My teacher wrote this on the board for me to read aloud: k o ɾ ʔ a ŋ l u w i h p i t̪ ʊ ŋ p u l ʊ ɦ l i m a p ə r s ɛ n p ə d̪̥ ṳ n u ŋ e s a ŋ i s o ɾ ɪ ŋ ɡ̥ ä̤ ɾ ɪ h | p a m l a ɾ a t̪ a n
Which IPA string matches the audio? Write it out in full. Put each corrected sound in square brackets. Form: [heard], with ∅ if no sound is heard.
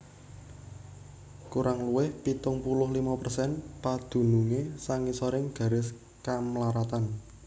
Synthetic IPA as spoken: k [u] ɾ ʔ a ŋ l u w [ɪ] h p i t̪ ʊ ŋ p u l ʊ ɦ l i m a p ə r s ɛ n p [a] d̪̥ ṳ n u ŋ e s a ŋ i s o ɾ ɪ ŋ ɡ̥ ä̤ ɾ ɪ [s] | [k] a m l a ɾ a t̪ a n